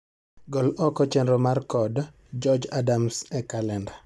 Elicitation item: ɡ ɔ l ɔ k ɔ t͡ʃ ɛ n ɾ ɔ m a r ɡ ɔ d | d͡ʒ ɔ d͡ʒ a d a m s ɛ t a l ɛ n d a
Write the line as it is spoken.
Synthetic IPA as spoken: ɡ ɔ l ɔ k ɔ t͡ʃ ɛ n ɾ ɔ m a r k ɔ d | d͡ʒ ɔ d͡ʒ a d a m s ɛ k a l ɛ n d a

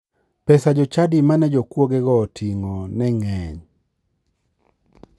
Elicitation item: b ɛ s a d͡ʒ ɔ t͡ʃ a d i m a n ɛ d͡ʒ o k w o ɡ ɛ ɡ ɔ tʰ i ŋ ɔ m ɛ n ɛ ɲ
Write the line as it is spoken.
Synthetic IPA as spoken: p ɛ s a d͡ʒ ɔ t͡ʃ a d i m a n ɛ d͡ʒ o k w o ɡ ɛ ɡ ɔ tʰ i ŋ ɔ n ɛ ŋ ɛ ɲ

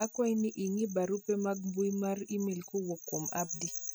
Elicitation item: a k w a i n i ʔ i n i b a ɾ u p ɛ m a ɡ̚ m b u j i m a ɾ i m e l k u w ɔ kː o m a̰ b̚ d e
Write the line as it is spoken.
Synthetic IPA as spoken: a k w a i n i ʔ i ŋ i b a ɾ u p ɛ m a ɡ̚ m b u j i m a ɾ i m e l k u w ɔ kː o m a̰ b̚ d i

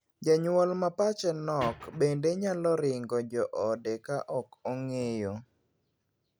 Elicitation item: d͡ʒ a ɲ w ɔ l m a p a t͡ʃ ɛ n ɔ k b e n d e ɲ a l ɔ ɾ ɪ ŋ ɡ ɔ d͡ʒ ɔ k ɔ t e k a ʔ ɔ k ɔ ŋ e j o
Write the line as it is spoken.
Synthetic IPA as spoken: d͡ʒ a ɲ w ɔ l m a p a t͡ʃ ɛ n ɔ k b e n d e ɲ a l ɔ ɾ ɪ ŋ ɡ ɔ d͡ʒ ɔ ʔ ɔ d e k a ʔ ɔ k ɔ ŋ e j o

